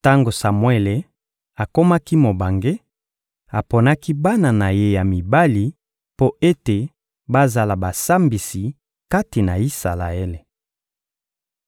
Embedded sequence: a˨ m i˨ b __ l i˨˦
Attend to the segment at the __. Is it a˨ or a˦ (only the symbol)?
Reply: a˦